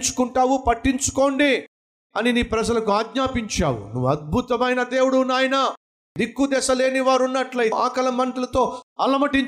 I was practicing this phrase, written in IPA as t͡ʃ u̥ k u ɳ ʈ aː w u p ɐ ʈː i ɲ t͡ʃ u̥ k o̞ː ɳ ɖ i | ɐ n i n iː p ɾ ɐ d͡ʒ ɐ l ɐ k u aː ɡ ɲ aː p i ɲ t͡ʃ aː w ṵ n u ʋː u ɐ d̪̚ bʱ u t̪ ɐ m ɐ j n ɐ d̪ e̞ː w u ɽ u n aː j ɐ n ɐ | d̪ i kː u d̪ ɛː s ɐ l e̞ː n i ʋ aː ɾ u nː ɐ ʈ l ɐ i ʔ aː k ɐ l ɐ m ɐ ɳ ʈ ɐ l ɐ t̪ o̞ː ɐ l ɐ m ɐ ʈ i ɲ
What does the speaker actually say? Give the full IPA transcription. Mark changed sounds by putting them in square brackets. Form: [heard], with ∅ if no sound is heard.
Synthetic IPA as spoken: t͡ʃ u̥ k u ɳ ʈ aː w u p ɐ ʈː i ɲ t͡ʃ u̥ k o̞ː ɳ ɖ i | ɐ n i n iː p ɾ ɐ d͡ʒ ɐ l ɐ k u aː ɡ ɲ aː p i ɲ t͡ʃ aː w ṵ n u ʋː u ɐ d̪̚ bʱ u t̪ ɐ m ɐ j n ɐ d̪ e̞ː w u ɽ u n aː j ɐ n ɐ | d̪ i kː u d̪ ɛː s ɐ l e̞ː n i ʋ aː ɾ u nː ɐ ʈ l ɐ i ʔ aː k ɐ l ɐ m ɐ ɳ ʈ ɐ l ɐ t̪ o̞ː ɐ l ɐ m ɐ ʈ i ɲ